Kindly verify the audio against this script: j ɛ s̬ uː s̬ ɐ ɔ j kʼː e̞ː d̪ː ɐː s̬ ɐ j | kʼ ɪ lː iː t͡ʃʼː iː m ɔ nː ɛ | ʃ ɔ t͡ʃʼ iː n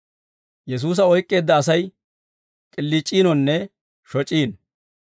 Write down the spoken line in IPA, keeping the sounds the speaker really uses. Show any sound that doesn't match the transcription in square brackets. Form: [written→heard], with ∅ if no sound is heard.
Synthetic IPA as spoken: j ɛ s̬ uː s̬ ɐ ɔ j kʼː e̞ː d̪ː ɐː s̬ ɐ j | kʼ ɪ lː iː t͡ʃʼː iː [m→n] ɔ nː ɛ | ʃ ɔ t͡ʃʼ iː n

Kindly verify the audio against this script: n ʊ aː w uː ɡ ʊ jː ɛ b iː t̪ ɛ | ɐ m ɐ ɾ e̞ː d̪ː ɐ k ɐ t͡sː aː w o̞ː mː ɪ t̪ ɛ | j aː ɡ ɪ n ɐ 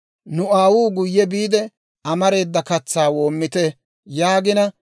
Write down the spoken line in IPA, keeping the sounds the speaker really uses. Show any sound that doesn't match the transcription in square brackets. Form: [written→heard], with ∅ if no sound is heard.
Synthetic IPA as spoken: n ʊ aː w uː ɡ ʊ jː ɛ b iː [t̪→d̪] ɛ | ɐ m ɐ ɾ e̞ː d̪ː ɐ k ɐ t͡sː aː w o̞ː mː ɪ t̪ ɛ | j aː ɡ ɪ n ɐ

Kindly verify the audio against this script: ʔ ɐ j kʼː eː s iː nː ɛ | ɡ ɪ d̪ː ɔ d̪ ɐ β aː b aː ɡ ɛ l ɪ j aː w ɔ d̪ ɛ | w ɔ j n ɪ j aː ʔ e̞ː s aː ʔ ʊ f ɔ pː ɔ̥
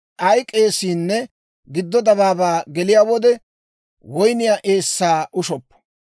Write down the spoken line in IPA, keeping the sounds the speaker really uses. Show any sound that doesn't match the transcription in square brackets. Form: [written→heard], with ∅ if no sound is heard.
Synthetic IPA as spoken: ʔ ɐ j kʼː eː s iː nː ɛ | ɡ ɪ d̪ː ɔ d̪ ɐ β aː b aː ɡ ɛ l ɪ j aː w ɔ d̪ ɛ | w ɔ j n ɪ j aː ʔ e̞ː [s→sː] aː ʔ ʊ [f→ʃ] ɔ pː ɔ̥

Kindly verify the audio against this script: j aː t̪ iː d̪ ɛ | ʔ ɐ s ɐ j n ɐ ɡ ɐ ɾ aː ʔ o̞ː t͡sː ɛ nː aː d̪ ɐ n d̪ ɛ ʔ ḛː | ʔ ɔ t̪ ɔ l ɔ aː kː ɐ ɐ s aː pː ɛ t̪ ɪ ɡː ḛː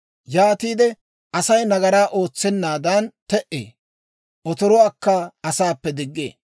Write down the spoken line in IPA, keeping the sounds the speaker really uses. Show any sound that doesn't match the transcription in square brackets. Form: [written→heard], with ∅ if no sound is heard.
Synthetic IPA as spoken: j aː t̪ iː d̪ ɛ | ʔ ɐ s ɐ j n ɐ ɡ ɐ ɾ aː ʔ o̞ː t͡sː ɛ nː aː d̪ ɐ n [d̪→t̪] ɛ ʔ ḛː | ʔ ɔ t̪ ɔ [l→ɾ] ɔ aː kː ɐ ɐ s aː pː ɛ [t̪→d̪] ɪ ɡː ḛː

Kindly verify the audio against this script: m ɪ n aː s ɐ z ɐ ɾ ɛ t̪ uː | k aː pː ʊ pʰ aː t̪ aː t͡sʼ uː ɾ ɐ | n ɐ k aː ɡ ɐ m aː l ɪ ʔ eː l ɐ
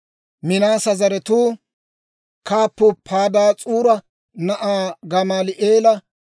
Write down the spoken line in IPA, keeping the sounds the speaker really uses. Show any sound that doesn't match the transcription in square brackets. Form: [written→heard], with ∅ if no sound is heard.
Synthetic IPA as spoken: m ɪ n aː s ɐ z ɐ ɾ ɛ t̪ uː | k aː pː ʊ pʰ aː [t̪→d̪] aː t͡sʼ uː ɾ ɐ | n ɐ [k→ʔ] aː ɡ ɐ m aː l ɪ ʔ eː l ɐ

